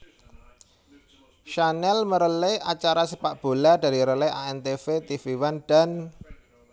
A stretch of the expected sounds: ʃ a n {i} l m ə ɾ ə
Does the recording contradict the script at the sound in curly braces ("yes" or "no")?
yes